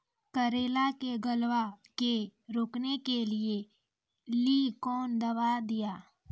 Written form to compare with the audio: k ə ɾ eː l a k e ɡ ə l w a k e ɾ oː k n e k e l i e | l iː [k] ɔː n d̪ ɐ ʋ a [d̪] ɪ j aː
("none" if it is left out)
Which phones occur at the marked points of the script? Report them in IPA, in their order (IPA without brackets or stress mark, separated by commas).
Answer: k, d̪